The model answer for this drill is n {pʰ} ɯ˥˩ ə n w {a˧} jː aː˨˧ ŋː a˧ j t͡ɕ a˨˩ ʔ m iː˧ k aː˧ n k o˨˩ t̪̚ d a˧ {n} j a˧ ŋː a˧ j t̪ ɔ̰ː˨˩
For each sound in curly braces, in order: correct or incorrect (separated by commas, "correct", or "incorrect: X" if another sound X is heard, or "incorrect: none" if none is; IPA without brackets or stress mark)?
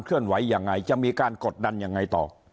incorrect: kʰ, incorrect: a˩˦˥, correct